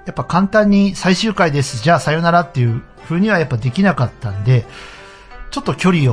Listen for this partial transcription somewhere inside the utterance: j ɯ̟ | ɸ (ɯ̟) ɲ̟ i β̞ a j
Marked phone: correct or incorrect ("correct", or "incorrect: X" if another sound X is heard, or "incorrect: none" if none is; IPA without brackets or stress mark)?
incorrect: ɯ̟ː